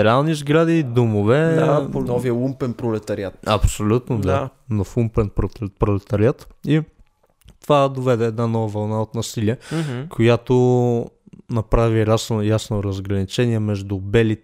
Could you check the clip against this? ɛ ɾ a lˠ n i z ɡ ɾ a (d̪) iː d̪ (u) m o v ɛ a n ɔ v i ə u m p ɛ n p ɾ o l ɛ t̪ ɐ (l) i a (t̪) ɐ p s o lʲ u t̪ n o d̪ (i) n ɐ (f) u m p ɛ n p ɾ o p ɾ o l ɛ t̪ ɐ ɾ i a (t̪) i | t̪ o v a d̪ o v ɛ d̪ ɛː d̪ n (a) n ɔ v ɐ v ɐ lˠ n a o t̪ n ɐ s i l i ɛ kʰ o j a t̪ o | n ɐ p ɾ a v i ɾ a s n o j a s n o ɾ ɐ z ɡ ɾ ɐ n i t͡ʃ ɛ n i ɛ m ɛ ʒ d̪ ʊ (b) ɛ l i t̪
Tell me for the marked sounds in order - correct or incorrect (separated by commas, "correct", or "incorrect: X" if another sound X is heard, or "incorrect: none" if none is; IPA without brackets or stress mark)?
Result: correct, incorrect: o, incorrect: ɾ, correct, incorrect: a, correct, correct, correct, correct